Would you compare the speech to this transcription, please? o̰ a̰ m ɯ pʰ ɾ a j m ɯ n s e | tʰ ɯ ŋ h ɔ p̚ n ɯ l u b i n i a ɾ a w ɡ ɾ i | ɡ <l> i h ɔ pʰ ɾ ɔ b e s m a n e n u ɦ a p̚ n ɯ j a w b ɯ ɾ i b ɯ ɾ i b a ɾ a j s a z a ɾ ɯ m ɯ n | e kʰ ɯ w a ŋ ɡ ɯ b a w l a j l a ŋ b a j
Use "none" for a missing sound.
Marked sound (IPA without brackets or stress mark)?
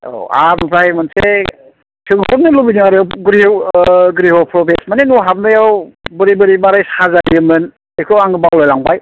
ɾ